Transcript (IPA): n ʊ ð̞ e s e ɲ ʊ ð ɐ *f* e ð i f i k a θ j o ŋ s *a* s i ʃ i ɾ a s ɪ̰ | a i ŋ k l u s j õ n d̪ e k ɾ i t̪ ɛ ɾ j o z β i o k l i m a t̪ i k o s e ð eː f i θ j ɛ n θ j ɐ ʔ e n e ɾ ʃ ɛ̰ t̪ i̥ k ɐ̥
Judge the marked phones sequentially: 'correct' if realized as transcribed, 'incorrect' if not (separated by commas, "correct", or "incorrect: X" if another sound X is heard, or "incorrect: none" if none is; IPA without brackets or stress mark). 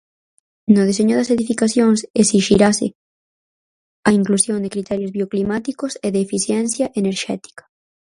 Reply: incorrect: s, incorrect: e